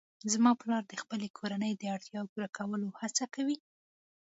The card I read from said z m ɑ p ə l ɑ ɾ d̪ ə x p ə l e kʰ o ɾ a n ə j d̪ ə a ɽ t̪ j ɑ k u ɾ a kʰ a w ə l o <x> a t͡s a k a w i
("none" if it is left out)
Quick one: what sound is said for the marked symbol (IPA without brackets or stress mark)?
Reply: h